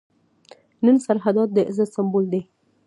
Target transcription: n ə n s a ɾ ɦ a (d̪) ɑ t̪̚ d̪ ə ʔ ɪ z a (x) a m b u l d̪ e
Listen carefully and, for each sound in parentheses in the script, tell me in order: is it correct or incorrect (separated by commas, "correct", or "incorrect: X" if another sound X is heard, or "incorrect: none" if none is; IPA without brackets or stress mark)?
correct, incorrect: s